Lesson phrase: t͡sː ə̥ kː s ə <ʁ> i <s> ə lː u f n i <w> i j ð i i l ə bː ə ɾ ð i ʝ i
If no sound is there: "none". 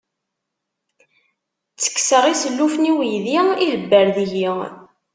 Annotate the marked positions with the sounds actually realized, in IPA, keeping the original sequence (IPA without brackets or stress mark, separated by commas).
ʁ, s, w